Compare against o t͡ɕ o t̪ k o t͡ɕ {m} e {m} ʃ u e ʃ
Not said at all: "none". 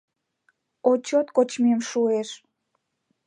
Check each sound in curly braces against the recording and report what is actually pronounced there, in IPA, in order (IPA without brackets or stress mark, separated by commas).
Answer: m, m